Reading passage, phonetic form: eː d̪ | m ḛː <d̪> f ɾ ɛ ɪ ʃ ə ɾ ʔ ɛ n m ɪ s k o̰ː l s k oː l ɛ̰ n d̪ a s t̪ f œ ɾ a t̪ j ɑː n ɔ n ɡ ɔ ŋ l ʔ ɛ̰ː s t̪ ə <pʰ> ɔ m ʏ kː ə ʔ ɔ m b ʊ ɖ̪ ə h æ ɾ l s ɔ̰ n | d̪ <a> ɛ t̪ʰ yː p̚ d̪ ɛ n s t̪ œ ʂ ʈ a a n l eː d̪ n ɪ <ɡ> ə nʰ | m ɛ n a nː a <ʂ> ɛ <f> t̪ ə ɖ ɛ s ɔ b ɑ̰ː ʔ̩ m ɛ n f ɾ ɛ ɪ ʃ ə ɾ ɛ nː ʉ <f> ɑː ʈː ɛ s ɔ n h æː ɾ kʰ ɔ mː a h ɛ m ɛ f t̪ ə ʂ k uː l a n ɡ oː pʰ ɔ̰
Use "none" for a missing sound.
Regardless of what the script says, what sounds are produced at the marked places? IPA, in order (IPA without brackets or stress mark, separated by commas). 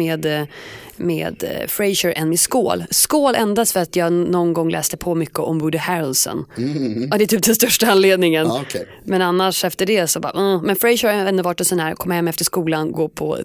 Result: d̪, pʰ, ɛ, ŋ, ʂ, f, v